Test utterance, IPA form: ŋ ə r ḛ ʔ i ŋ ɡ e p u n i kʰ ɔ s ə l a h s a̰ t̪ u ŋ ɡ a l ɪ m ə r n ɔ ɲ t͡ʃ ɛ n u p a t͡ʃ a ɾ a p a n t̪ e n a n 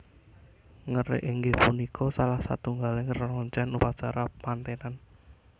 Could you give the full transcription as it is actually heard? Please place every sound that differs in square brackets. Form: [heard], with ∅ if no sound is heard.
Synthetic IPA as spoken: ŋ ə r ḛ ʔ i ŋ ɡ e p u n i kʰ ɔ s [a] l a h s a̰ t̪ u ŋ ɡ a l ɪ [ŋ] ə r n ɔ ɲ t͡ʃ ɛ n u p a t͡ʃ a ɾ a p a n t̪ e n a n